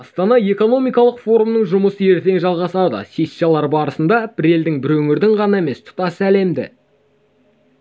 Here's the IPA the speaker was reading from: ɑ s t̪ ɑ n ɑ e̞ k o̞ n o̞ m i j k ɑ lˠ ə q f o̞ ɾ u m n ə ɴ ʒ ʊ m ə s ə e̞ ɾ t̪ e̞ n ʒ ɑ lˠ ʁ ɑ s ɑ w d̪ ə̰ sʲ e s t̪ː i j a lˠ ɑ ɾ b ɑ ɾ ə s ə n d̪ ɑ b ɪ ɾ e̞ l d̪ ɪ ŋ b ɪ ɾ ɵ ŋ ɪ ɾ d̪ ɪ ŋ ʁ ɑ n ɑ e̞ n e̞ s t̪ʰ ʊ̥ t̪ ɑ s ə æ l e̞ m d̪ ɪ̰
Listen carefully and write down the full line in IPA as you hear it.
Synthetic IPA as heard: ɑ s t̪ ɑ n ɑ e̞ k o̞ n o̞ m i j k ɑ lˠ ə q f o̞ ɾ u m n ə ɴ ʒ ʊ m ə s ə e̞ ɾ t̪ e̞ ŋ ʒ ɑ lˠ ʁ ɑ s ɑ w d̪ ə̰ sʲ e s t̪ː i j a lˠ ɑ ɾ b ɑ ɾ ə s ə n d̪ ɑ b ɪ ɾ e̞ l d̪ ɪ ŋ b ɪ ɾ ɵ ŋ ɪ ɾ d̪ ɪ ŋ ʁ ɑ n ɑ e̞ m e̞ s t̪ʰ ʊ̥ t̪ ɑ s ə æ l e̞ m d̪ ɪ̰